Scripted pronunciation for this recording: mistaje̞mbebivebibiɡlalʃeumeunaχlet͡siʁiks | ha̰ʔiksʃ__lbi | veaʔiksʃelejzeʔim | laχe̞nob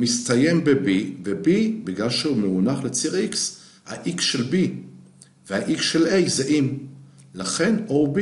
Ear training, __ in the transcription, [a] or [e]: e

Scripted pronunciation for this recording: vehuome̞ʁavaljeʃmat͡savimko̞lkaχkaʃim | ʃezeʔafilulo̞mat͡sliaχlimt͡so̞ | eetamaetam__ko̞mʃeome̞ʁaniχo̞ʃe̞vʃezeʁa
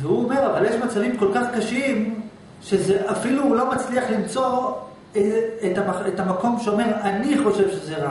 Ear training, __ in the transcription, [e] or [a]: a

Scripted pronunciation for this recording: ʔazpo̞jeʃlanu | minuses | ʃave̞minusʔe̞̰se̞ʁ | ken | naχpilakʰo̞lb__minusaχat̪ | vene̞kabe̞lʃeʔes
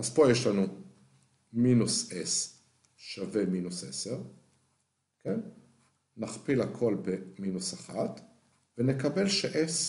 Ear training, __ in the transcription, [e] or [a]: e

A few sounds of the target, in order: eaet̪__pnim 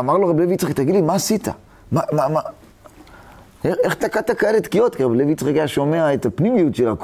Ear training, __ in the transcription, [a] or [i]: a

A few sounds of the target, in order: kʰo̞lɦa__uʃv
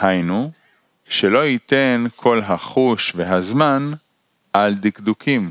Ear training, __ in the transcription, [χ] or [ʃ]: χ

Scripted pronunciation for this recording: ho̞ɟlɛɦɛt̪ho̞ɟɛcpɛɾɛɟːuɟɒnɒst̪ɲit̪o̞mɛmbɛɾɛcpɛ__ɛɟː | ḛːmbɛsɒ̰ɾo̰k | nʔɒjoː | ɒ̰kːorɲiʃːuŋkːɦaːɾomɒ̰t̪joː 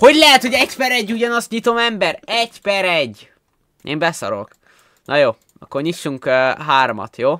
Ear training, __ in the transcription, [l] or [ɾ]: ɾ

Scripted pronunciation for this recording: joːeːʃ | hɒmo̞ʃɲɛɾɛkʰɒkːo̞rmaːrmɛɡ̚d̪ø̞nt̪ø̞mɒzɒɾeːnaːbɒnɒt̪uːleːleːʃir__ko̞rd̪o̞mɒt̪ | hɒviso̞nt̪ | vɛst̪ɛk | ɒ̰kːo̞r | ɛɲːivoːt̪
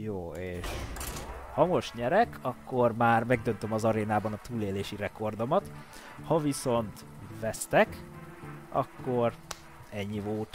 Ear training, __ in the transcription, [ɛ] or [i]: ɛ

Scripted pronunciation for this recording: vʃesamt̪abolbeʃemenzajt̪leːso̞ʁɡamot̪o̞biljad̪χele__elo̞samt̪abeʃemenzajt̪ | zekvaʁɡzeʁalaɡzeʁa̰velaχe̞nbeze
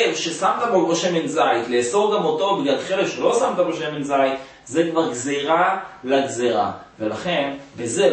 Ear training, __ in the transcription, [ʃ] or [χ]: ʃ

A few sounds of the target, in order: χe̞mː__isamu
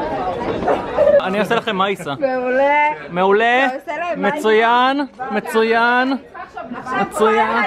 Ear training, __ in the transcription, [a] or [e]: a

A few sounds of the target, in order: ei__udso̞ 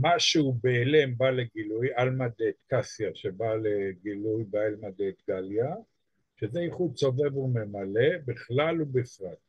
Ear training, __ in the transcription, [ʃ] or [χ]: χ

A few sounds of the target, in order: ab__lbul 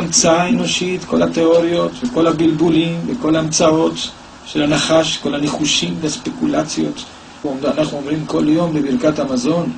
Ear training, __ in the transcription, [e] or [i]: i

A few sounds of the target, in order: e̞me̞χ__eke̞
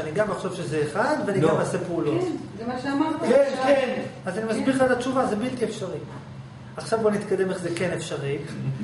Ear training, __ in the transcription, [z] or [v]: z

